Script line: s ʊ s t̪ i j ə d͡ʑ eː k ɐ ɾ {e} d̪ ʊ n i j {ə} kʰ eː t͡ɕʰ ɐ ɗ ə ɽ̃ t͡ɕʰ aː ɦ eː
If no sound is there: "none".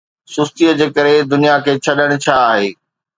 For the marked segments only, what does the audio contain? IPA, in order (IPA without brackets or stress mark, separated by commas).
e, a